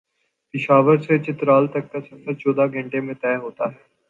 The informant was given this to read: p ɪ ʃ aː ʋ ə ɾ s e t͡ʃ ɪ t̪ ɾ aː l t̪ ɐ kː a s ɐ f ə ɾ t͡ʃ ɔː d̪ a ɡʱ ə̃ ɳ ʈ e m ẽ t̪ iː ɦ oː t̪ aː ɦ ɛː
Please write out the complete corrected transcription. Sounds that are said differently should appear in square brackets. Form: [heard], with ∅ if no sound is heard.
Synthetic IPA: p ɪ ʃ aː ʋ ə ɾ s e t͡ʃ ɪ t̪ ɾ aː l t̪ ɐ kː a s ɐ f ə ɾ t͡ʃ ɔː d̪ a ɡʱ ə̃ ɳ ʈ e m ẽ t̪ [ɛː] ɦ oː t̪ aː ɦ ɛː